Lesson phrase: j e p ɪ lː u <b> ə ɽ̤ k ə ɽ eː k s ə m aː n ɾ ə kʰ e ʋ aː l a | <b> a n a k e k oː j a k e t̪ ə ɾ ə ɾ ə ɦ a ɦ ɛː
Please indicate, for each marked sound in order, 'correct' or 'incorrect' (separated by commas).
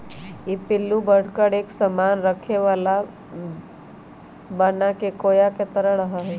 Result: correct, correct